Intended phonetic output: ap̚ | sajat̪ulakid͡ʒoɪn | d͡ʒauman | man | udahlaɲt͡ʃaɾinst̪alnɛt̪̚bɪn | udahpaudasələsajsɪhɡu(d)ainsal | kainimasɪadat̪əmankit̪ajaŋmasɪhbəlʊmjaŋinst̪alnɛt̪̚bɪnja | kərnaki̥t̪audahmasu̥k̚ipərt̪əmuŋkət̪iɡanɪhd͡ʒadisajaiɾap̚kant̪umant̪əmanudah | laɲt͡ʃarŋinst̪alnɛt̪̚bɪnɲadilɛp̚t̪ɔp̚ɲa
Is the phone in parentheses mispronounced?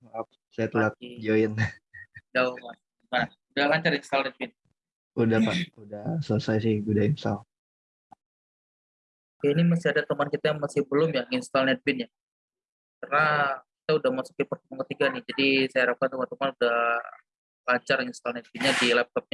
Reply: no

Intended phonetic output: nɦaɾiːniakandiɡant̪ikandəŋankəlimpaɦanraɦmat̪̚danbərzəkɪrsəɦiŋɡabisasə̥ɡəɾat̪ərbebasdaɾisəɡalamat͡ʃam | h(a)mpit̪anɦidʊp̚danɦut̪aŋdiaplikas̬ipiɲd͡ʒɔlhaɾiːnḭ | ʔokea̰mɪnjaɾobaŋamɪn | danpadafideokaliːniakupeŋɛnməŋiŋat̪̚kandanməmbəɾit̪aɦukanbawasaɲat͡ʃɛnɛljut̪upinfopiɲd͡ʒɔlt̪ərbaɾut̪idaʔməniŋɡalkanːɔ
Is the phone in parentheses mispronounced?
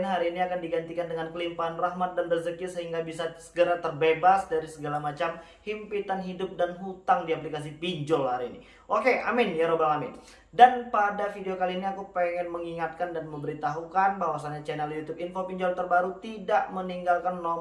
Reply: yes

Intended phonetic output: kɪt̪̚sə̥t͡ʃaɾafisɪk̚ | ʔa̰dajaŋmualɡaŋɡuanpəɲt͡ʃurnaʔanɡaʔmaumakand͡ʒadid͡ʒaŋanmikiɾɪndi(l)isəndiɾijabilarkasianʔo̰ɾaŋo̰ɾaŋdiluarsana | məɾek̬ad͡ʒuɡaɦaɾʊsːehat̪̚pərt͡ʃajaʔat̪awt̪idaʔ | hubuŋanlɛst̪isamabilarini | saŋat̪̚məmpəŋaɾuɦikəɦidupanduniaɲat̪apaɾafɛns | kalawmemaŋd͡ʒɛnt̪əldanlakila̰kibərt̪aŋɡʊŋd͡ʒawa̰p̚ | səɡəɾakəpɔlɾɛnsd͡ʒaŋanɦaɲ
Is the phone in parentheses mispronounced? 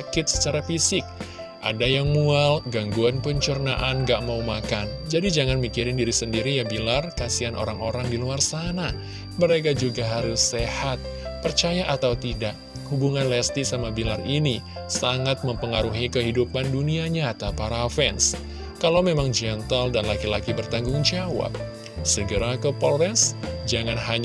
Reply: yes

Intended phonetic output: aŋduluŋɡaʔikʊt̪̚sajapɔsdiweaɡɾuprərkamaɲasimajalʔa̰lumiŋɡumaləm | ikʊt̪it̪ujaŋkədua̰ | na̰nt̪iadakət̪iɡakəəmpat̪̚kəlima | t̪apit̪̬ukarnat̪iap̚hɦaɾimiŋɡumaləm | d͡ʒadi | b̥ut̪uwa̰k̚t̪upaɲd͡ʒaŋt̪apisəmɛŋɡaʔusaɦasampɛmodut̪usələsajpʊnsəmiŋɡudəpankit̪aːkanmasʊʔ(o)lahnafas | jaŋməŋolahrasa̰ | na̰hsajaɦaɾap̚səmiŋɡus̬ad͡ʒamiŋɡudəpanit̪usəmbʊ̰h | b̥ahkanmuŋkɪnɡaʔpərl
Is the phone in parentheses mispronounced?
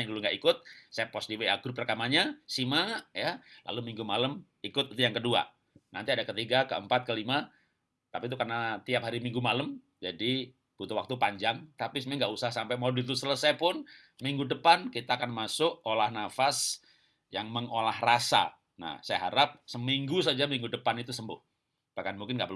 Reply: no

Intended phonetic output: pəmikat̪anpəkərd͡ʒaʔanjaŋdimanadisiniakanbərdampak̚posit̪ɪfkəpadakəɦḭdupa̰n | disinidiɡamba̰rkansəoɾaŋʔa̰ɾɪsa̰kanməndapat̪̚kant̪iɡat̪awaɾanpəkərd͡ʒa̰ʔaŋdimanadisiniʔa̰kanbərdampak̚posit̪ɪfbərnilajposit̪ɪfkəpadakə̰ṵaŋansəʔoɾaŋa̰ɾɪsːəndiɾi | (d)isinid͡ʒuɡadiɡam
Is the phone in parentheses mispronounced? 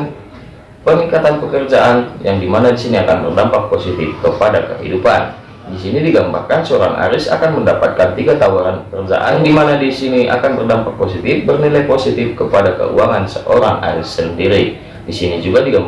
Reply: no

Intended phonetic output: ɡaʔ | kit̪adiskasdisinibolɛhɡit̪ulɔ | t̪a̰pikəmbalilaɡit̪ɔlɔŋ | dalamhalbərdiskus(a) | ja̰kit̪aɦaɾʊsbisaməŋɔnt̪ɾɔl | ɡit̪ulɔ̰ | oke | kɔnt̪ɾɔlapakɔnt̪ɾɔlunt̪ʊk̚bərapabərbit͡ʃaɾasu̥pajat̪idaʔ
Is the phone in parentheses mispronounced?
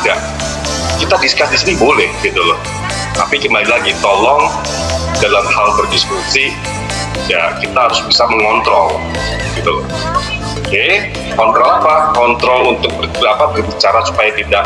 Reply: yes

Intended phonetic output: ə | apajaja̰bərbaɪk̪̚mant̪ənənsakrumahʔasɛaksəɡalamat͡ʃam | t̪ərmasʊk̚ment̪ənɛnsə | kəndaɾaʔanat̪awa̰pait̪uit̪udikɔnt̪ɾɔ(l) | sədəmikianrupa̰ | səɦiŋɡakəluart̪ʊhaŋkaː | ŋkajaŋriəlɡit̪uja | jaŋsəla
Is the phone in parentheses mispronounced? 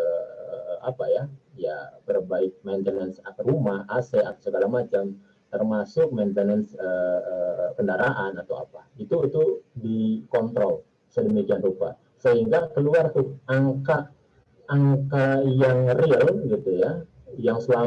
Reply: no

